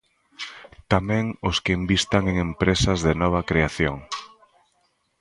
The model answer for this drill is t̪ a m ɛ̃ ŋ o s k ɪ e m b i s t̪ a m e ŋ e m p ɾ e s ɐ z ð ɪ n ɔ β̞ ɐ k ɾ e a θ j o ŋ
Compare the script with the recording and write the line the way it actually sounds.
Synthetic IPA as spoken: t̪ a m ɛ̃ ŋ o s k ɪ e m b i s t̪ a ŋ e ŋ e m p ɾ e s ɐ z ð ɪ n ɔ β̞ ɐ k ɾ e a θ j o ŋ